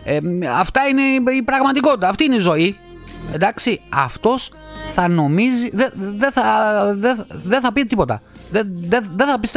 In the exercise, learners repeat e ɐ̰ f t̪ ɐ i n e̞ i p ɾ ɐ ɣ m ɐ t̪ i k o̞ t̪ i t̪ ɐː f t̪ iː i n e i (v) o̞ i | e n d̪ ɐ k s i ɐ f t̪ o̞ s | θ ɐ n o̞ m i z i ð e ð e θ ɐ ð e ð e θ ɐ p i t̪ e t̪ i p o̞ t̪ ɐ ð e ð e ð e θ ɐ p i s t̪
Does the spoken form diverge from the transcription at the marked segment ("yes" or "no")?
yes